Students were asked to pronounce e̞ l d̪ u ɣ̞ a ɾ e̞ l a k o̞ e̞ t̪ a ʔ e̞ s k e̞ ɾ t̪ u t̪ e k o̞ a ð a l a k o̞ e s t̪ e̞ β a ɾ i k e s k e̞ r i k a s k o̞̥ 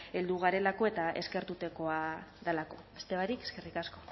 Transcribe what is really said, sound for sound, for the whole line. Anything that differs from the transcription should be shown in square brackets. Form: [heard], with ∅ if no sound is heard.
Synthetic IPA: e̞ l d̪ u ɣ̞ a ɾ e̞ l a k o̞ e̞ t̪ a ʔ e̞ s k e̞ ɾ t̪ u t̪ e k o̞ a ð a l a k o̞ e s t̪ e̞ β a ɾ i k e s k e̞ r i k a s k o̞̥